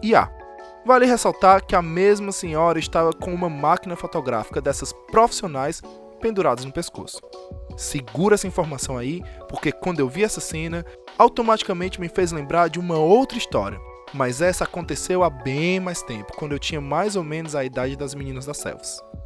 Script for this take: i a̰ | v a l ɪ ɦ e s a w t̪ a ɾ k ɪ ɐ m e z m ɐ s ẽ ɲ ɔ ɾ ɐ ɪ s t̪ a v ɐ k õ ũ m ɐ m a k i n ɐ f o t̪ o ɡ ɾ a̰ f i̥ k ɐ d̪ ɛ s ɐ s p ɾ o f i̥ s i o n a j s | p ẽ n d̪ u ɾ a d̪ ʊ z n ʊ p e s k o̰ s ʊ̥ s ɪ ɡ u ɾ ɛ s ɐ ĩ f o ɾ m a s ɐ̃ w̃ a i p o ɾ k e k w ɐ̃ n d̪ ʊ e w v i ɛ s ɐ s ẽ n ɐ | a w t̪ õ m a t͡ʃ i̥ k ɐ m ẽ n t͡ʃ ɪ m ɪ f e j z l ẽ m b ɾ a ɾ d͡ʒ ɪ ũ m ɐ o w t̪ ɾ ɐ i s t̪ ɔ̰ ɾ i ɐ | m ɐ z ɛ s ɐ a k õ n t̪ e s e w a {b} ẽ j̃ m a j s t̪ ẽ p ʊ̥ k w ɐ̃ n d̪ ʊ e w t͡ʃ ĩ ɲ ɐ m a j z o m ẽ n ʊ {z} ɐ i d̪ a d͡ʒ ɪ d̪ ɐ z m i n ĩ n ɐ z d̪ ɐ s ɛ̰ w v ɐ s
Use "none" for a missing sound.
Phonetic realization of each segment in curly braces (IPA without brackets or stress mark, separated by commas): b, z